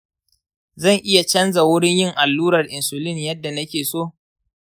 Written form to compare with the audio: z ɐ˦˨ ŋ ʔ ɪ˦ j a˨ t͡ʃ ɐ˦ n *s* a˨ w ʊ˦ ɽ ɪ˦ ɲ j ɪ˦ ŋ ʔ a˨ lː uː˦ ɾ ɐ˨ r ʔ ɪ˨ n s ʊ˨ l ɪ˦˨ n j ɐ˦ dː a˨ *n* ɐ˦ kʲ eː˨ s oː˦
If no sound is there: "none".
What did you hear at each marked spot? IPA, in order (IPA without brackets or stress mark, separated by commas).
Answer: z, n